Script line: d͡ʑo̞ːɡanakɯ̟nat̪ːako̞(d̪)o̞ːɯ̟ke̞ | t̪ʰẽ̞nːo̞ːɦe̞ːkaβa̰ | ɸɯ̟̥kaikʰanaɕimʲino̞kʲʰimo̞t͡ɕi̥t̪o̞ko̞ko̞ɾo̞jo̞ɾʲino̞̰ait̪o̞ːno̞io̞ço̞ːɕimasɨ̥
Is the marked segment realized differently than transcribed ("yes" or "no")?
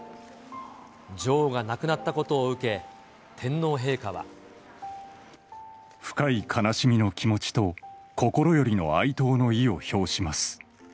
yes